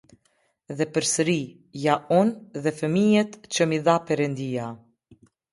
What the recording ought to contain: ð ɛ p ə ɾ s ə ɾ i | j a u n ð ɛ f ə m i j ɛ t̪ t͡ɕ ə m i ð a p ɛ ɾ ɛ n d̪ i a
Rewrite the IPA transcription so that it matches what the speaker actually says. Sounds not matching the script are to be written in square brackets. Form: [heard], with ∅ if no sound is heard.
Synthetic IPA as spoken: ð ɛ p ə ɾ s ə ɾ i | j a u n ð ɛ f ə m i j ɛ t̪ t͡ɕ ə m i ð a p ɛ ɾ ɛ n d̪ i a